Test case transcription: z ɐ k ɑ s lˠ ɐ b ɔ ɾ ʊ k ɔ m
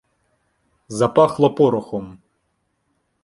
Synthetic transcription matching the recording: z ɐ p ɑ x lˠ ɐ p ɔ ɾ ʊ x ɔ m